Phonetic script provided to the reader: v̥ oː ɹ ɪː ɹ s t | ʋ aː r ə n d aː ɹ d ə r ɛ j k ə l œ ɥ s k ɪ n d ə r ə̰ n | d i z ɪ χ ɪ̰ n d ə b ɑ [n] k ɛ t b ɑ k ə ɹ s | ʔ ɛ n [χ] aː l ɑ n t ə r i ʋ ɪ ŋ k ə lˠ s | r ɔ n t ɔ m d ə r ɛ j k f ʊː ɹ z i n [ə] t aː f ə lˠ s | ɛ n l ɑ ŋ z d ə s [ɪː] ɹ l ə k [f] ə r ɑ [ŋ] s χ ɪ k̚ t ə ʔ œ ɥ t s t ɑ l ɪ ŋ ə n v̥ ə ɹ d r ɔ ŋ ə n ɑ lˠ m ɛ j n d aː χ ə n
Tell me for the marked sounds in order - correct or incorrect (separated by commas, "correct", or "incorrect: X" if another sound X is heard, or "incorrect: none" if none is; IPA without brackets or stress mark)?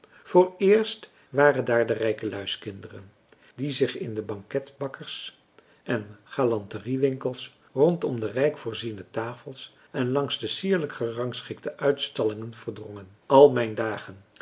incorrect: ŋ, correct, correct, incorrect: iː, incorrect: χ, correct